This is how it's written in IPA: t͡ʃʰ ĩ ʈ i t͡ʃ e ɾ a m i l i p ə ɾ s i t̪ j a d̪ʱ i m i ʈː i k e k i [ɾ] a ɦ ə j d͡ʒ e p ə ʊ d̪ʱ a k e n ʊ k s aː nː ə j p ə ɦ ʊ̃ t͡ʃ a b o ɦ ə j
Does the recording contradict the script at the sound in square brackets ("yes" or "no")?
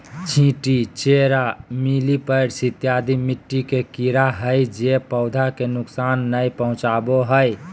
no